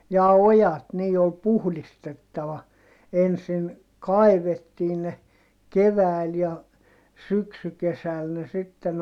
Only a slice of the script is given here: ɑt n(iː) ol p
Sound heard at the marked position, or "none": iː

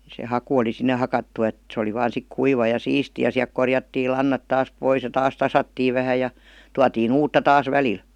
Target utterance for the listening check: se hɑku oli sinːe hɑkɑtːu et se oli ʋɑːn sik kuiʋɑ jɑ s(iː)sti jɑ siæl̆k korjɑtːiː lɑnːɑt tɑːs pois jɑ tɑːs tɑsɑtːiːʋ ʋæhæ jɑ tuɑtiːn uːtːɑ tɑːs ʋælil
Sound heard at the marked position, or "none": iː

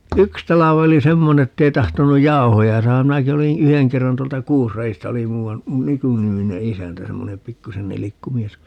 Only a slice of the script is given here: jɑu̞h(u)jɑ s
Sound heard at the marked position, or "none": o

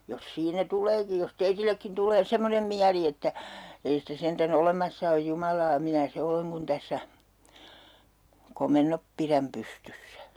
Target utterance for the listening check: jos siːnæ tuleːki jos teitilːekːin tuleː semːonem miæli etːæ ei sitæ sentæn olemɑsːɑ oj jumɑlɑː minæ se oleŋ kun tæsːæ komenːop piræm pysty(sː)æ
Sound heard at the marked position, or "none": sː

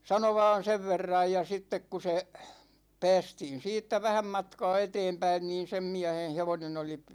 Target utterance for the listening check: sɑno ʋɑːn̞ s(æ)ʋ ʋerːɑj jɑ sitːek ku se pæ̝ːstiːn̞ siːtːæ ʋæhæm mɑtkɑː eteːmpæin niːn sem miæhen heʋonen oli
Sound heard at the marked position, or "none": e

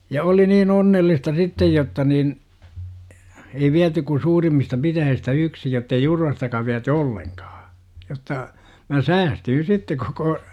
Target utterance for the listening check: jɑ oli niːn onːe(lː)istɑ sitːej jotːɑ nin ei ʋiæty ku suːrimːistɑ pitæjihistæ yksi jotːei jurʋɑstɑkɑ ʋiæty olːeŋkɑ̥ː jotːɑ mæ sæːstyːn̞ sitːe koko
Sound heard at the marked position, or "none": lː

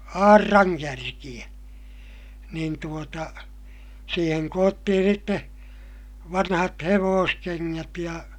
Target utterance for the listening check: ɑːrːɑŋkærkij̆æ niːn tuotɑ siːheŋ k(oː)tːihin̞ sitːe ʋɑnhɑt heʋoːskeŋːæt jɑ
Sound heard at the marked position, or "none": oː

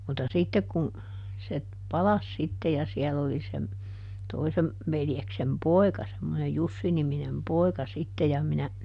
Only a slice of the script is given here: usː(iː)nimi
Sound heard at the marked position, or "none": i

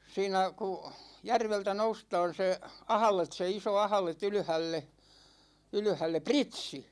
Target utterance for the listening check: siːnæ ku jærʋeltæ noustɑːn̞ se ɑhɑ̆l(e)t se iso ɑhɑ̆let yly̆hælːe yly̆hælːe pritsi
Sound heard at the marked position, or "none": e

